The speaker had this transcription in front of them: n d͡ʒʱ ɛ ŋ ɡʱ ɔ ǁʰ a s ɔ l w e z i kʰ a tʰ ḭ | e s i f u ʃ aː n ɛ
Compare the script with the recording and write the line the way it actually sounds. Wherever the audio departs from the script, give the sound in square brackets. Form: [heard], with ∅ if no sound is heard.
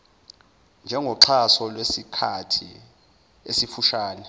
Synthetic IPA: n d͡ʒʱ ɛ ŋ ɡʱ ɔ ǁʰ a s ɔ l w e [s] i kʰ a tʰ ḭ | e s i f u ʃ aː n ɛ